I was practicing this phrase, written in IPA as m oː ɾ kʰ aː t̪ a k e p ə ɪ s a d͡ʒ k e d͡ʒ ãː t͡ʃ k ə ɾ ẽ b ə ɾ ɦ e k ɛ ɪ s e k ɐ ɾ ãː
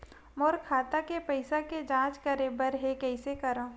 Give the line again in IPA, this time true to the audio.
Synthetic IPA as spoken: m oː ɾ kʰ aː t̪ a k e p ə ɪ s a k e d͡ʒ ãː t͡ʃ k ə ɾ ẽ b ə ɾ ɦ e k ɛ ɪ s e k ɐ ɾ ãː